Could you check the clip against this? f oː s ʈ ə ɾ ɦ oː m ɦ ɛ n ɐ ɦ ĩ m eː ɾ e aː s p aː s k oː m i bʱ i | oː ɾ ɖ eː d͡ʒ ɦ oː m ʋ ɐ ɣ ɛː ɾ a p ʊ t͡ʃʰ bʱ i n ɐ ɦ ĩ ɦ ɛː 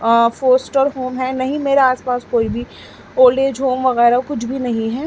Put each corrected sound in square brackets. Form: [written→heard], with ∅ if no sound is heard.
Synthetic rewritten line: f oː s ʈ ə ɾ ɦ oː m ɦ ɛ n ɐ ɦ ĩ m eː ɾ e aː s p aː s k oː [m→∅] i bʱ i | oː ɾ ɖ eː d͡ʒ ɦ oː m ʋ ɐ ɣ ɛː ɾ a [p→k] ʊ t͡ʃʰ bʱ i n ɐ ɦ ĩ ɦ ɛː